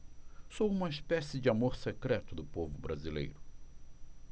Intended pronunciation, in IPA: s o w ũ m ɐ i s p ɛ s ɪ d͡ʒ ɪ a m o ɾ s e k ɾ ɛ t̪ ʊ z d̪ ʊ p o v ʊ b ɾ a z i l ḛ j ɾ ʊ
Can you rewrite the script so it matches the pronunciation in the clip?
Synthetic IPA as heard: s o w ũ m ɐ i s p ɛ s ɪ d͡ʒ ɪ a m o ɾ s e k ɾ ɛ t̪ ʊ d̪ ʊ p o v ʊ b ɾ a z i l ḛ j ɾ ʊ